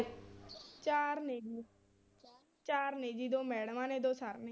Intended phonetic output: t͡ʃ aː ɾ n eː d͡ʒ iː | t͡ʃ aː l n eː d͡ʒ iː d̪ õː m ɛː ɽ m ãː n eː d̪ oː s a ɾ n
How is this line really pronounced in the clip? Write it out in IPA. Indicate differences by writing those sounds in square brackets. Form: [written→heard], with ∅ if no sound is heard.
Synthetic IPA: t͡ʃ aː ɾ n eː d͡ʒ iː | t͡ʃ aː [l→ɾ] n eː d͡ʒ iː d̪ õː m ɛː ɽ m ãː n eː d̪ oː s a ɾ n